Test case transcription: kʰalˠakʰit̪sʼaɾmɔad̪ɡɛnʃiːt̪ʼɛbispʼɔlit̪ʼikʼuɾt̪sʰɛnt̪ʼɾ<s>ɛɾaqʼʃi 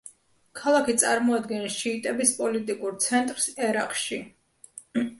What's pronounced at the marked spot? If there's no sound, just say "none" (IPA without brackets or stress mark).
s